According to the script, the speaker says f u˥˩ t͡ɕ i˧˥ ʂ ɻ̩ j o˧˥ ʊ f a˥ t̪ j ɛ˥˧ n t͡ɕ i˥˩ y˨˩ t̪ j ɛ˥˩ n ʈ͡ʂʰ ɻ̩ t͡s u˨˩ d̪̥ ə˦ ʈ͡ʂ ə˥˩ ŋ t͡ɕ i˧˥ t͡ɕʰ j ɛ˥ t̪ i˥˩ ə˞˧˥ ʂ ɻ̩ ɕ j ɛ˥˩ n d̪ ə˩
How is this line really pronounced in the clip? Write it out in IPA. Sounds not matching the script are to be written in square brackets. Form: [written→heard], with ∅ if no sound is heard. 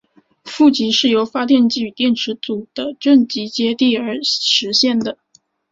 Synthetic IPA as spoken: f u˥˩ t͡ɕ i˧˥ ʂ ɻ̩ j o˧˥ ʊ f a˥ t̪ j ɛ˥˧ n t͡ɕ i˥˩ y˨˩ t̪ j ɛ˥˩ n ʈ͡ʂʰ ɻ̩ t͡s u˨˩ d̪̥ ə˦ ʈ͡ʂ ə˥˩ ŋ t͡ɕ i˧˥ [t͡ɕʰ→t͡ɕ] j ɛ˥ t̪ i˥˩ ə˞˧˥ ʂ ɻ̩ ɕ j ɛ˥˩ n d̪ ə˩